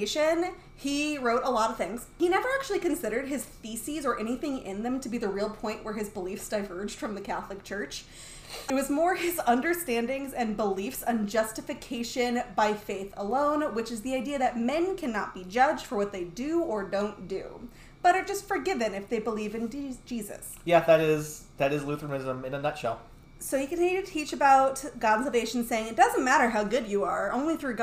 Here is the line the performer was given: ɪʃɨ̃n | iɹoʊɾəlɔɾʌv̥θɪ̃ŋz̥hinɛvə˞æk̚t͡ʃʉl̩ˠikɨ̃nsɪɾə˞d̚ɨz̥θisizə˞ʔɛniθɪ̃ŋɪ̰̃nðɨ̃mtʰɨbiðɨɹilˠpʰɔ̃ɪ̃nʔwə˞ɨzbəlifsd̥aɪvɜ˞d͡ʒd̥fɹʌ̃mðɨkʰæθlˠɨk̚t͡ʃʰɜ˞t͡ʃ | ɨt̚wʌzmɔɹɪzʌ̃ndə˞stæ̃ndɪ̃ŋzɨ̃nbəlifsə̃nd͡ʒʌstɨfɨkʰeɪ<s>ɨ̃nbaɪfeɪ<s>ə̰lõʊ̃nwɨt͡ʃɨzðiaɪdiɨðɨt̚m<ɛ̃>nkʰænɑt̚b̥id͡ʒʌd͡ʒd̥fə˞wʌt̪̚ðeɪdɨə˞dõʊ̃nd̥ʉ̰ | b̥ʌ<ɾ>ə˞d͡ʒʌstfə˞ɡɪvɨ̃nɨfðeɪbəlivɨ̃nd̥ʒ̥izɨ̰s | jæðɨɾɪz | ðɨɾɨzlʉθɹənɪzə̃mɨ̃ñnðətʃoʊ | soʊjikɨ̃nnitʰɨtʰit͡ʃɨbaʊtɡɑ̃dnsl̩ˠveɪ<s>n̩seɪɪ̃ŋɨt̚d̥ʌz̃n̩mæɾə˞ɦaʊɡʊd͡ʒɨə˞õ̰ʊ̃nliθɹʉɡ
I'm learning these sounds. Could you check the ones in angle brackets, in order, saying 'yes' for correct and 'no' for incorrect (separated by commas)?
no, no, yes, yes, no